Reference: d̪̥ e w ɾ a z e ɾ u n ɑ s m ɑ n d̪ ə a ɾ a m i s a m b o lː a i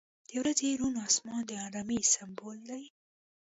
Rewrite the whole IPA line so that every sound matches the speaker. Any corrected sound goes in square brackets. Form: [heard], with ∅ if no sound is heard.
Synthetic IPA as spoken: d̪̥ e w ɾ a z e ɾ u n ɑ s m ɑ n d̪ ə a ɾ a m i s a m b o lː a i